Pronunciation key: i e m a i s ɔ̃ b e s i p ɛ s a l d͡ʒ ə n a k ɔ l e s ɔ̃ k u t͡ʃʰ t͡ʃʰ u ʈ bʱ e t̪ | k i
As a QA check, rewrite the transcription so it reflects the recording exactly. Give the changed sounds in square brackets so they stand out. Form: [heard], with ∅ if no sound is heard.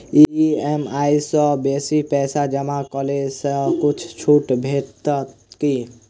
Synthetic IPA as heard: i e m a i s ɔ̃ b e s i p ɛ s a [∅] d͡ʒ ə [m] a k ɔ l e s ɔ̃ k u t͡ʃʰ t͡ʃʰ u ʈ bʱ e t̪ | k i